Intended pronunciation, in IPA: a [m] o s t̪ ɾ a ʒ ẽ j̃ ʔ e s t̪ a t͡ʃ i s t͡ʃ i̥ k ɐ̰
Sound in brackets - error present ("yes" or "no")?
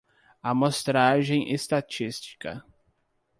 no